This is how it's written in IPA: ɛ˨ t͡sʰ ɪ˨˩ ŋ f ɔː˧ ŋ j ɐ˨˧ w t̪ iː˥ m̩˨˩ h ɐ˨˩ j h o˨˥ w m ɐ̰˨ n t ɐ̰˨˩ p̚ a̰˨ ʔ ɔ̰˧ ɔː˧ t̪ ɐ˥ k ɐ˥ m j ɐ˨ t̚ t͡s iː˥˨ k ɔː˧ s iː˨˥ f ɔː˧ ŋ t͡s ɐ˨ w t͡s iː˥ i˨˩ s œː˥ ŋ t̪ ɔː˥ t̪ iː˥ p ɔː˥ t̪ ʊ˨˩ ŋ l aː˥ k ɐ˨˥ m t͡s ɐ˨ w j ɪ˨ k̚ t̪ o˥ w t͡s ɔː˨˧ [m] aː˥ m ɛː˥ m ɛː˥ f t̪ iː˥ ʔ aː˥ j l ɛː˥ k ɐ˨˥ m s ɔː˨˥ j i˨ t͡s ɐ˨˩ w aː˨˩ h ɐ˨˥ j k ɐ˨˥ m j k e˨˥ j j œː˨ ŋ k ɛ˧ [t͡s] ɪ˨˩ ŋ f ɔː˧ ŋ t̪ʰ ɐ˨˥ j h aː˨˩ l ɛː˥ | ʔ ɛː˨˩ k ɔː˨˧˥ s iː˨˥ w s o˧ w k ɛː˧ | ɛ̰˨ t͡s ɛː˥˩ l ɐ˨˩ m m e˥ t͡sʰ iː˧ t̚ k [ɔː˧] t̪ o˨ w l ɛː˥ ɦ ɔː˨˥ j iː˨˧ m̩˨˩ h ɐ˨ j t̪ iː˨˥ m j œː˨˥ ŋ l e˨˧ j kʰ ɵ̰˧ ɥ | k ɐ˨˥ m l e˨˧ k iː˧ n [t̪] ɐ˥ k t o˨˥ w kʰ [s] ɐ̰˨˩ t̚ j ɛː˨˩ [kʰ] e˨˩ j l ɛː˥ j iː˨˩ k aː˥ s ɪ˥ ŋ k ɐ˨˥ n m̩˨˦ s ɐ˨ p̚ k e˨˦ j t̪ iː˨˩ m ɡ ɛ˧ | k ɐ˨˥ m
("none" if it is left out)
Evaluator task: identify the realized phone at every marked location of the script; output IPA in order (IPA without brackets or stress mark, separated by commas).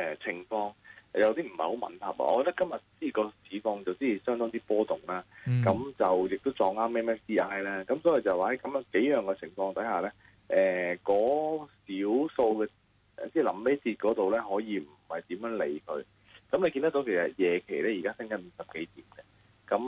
ŋ, t͡sʰ, ɔː˨˥, t̪, s, kʰ